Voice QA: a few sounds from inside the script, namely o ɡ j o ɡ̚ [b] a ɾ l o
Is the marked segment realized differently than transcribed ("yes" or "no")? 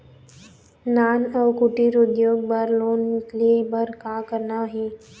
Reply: no